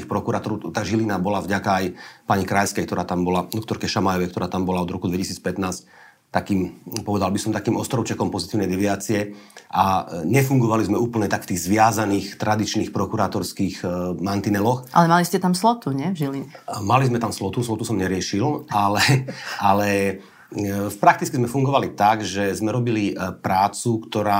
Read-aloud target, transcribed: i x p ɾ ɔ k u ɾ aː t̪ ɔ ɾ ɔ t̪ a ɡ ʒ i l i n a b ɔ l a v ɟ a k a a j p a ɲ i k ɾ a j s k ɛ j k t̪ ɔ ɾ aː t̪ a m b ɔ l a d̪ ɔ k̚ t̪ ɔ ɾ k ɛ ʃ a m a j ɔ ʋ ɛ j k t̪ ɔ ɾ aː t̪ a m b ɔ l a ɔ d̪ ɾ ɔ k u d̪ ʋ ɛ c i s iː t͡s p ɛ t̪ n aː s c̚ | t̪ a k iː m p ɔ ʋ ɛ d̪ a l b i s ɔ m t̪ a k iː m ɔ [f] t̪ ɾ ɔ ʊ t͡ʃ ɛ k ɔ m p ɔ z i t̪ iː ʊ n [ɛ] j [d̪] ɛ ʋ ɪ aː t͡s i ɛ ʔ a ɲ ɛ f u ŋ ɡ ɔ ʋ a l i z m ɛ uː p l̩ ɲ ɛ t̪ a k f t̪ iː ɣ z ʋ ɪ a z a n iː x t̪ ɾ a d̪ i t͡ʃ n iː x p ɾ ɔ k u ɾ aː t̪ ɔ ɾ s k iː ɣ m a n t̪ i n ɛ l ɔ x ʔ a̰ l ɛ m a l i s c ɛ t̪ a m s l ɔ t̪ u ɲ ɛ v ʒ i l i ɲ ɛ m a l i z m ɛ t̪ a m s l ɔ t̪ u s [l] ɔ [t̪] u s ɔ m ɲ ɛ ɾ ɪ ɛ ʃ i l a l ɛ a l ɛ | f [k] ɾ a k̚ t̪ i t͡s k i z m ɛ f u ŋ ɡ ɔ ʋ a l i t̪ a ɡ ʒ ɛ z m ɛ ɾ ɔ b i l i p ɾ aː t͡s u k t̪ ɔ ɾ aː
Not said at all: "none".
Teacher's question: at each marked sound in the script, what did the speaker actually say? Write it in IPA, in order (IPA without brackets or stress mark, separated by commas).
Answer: s, ɛ, d̪, l, t̪, p